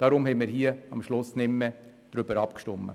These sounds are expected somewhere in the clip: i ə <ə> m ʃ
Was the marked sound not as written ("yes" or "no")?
yes